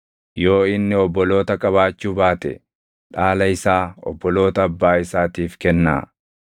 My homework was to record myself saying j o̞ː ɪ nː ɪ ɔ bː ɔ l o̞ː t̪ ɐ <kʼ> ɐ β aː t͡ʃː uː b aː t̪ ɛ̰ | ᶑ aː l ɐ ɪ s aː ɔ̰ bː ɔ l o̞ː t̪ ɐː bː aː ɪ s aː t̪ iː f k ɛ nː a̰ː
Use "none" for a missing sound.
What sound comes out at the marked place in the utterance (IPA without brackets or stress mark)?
kʼ